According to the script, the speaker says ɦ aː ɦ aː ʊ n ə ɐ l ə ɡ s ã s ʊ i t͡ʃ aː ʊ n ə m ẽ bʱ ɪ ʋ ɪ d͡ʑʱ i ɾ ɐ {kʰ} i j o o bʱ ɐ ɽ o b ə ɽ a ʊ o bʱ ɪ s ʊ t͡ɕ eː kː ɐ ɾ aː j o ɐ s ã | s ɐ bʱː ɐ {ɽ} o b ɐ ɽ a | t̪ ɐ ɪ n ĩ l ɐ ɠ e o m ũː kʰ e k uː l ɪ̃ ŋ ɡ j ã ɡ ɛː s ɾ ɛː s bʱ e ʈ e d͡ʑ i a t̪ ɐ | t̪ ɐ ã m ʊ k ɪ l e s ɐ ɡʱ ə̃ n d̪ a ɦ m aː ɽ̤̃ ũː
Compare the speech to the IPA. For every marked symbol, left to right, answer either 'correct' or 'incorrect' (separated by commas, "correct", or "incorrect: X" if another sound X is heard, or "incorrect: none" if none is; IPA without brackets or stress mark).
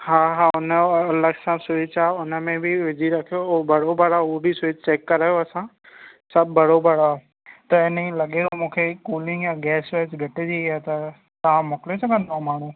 correct, correct